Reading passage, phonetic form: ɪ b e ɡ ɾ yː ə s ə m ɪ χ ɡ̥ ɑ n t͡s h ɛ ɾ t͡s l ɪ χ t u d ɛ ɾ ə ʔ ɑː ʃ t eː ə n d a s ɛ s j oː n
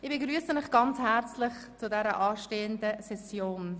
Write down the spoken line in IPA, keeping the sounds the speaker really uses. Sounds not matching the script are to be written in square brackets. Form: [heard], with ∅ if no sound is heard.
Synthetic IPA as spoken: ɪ b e ɡ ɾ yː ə s ə m ɪ χ ɡ̥ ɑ n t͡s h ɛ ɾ t͡s l ɪ χ [t͡s] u d ɛ ɾ ə ʔ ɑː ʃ t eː ə n d [ə] s ɛ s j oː n